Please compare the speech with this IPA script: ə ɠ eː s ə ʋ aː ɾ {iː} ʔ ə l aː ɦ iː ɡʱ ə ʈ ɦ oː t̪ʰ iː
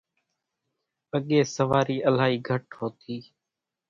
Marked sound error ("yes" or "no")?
no